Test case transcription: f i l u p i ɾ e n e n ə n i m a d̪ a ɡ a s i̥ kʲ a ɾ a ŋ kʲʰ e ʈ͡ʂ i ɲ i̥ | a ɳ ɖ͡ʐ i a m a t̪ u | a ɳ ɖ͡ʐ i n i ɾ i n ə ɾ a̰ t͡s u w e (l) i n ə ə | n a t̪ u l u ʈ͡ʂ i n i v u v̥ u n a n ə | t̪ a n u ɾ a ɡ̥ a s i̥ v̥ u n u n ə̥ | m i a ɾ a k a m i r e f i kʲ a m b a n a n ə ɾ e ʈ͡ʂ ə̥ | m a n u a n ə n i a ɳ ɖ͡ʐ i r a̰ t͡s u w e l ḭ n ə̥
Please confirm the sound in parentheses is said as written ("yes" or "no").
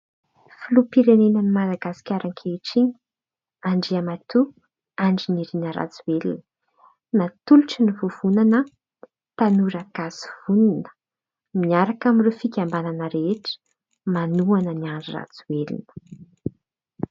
yes